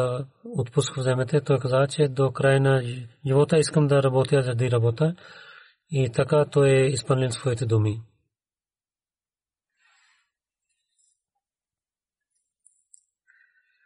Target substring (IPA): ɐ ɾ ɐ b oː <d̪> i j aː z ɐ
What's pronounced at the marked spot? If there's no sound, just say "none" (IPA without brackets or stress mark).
t̪